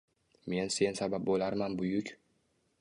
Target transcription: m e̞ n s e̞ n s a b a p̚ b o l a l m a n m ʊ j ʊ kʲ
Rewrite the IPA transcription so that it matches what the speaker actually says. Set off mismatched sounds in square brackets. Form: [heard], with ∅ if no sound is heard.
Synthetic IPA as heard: m e̞ n s e̞ n s a b a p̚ b o l a [ɾ] m a n [b] ʊ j ʊ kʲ